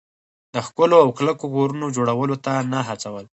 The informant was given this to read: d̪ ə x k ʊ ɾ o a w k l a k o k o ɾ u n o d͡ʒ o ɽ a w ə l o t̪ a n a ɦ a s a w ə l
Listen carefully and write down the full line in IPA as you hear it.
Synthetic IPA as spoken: d̪ ə x k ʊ l o a w k l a k o k o ɾ u n o d͡ʒ o ɽ a w ə l o t̪ a n a ɦ a t͡s a w ə l